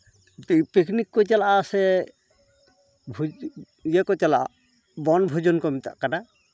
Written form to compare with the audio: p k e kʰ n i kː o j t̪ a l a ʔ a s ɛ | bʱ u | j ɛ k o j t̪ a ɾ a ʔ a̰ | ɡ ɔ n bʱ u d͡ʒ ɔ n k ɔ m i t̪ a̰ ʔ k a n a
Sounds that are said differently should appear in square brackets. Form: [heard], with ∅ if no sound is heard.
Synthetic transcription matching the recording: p [p] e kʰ n i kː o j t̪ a l a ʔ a s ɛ | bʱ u | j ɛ k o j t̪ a [l] a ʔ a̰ | [b] ɔ n bʱ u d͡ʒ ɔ n k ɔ m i t̪ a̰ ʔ k a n a